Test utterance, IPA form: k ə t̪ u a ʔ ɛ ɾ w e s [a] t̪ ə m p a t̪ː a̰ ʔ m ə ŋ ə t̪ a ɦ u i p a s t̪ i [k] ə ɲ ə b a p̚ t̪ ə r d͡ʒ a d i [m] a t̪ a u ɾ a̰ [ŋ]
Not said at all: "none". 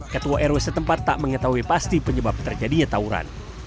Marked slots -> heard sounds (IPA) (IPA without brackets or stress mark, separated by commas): ə, p, ɲ, n